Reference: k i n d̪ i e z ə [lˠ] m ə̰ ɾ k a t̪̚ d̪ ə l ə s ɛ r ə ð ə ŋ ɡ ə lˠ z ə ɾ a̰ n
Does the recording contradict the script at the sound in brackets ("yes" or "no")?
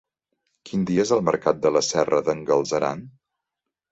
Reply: no